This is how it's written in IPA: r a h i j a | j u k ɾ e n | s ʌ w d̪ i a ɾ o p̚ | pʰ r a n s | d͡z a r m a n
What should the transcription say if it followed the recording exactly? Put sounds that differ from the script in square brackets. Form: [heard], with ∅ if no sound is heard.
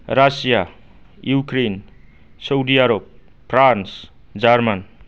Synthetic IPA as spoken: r a [s] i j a | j u k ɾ e n | s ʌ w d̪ i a ɾ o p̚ | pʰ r a n s | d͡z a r m a n